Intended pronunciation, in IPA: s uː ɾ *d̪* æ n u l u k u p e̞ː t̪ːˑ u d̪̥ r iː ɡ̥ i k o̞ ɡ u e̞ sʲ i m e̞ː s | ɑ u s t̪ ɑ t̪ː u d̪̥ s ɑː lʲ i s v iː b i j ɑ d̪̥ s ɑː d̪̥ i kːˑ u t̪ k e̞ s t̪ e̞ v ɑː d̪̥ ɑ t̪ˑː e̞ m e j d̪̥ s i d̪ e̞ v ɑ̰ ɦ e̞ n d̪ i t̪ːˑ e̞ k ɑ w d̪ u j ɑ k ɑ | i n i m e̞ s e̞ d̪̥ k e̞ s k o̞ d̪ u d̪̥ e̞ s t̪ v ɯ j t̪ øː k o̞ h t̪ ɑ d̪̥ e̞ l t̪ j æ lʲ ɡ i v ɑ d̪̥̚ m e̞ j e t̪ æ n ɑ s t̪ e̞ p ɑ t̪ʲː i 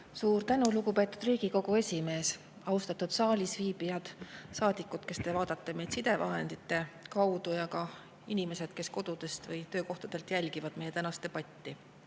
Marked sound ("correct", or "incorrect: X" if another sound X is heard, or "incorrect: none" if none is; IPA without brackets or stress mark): incorrect: t̪